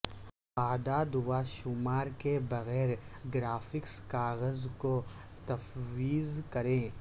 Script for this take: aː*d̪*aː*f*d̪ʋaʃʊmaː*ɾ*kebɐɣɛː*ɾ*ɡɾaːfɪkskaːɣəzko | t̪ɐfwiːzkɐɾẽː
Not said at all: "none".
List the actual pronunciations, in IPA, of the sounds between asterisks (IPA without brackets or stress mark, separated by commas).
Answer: d̪, none, ɾ, ɾ